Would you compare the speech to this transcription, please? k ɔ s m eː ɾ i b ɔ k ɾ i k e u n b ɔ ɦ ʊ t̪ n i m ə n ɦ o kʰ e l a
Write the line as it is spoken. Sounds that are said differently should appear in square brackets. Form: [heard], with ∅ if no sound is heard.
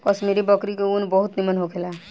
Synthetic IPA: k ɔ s m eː ɾ i b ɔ k ɾ i k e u n b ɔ ɦ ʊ t̪ n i m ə n ɦ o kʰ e l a